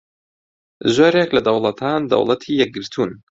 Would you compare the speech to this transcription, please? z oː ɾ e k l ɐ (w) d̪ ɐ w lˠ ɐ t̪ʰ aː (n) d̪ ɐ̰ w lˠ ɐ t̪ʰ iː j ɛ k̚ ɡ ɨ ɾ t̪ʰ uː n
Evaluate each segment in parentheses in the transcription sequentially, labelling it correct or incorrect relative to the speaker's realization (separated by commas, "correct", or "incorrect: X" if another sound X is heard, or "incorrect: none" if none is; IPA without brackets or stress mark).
incorrect: none, correct